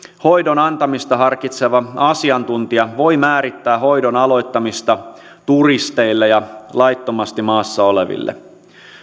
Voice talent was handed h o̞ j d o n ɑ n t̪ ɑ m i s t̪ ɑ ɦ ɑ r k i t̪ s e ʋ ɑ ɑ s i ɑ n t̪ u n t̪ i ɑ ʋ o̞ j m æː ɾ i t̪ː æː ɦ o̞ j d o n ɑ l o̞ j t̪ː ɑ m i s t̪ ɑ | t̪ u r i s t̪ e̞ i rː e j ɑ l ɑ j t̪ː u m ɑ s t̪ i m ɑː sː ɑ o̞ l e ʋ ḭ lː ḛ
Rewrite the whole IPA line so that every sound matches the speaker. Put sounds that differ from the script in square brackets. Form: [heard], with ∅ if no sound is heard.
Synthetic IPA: h o̞ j d o n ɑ n t̪ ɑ m i s t̪ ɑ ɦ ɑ r k i t̪ s e ʋ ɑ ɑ s i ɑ n t̪ u n t̪ i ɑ ʋ o̞ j m æː ɾ i t̪ː æː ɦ o̞ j d o n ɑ l o̞ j t̪ː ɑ m i s t̪ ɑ | t̪ u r i s t̪ e̞ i [lː] e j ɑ l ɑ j t̪ː [o] m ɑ s t̪ i m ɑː sː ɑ o̞ l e ʋ ḭ lː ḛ